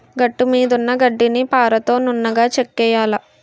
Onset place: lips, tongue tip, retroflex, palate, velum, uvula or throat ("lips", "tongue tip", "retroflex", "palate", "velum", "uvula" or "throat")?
velum